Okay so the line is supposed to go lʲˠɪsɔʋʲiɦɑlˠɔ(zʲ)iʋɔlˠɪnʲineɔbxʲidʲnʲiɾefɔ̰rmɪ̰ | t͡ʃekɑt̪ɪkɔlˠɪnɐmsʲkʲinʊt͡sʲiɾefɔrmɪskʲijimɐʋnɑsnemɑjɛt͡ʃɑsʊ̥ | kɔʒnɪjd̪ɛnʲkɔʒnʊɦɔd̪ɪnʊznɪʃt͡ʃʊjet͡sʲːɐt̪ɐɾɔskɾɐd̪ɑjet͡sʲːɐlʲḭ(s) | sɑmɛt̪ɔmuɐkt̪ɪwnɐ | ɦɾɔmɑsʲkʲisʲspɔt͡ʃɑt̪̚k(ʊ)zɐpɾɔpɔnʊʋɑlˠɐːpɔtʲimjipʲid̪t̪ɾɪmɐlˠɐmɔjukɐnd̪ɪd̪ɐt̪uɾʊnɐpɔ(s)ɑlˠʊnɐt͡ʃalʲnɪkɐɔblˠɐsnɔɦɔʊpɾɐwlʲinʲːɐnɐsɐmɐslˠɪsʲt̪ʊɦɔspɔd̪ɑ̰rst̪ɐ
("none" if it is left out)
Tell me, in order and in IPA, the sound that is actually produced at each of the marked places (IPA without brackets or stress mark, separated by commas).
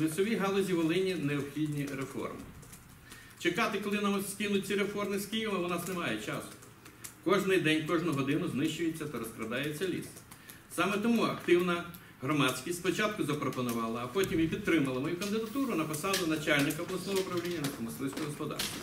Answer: zʲ, s, ʊ, s